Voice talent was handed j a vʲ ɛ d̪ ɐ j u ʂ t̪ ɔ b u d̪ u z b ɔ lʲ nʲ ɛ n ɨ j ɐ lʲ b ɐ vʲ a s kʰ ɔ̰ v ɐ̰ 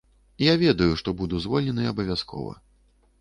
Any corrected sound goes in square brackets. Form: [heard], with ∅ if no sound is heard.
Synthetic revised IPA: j a vʲ ɛ d̪ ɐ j u ʂ t̪ ɔ b u d̪ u z [v] ɔ lʲ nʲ ɛ n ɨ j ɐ [∅] b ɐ vʲ a s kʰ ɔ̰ v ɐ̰